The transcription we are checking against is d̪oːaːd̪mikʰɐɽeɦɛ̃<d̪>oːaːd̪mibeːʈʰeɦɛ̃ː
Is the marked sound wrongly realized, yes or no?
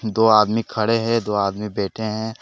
no